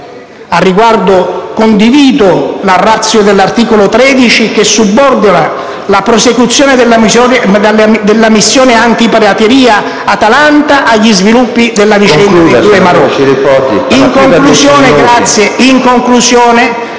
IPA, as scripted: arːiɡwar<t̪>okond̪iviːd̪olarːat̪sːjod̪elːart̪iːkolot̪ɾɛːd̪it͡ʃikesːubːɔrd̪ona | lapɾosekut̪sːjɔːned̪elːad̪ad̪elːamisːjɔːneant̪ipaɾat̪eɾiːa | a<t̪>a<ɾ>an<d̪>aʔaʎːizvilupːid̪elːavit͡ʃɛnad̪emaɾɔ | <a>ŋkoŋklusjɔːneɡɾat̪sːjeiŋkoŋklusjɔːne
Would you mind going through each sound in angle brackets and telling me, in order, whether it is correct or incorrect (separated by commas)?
incorrect, correct, incorrect, incorrect, incorrect